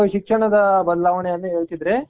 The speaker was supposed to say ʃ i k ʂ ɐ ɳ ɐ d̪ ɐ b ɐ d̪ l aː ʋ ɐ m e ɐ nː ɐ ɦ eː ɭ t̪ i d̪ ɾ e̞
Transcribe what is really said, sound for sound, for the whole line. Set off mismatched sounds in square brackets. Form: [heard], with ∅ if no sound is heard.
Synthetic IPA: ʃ i k ʂ ɐ ɳ ɐ d̪ ɐ b ɐ d̪ l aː ʋ ɐ [ɳ] e ɐ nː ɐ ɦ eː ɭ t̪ i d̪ ɾ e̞